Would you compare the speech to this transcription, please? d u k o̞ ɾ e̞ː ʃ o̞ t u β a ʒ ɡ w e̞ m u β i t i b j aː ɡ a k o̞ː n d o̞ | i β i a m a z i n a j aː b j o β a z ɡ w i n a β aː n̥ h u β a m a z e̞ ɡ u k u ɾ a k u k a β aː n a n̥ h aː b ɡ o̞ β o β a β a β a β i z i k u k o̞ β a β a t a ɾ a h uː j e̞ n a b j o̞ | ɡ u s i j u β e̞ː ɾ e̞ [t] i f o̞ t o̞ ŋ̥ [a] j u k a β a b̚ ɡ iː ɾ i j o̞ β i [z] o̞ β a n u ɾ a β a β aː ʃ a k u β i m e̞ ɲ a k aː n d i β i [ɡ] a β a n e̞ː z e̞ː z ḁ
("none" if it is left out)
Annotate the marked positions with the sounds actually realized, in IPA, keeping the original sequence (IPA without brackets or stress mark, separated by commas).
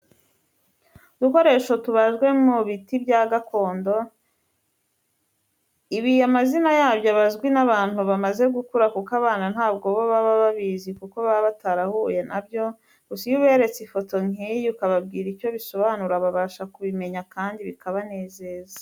t͡s, i, s, k